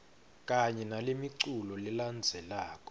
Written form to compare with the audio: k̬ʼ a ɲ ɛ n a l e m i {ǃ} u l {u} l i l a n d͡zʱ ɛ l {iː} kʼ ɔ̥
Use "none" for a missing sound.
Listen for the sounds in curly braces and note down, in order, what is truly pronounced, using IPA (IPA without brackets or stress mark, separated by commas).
ǀ, ɔ, aː